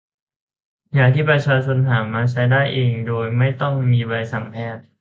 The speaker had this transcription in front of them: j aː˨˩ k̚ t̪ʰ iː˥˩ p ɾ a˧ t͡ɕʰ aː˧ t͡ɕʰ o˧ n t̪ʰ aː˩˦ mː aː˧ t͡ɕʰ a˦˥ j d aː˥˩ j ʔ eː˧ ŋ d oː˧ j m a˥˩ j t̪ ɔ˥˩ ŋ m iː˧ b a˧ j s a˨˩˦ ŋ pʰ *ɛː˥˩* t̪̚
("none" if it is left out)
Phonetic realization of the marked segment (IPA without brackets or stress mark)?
ɛː˥˩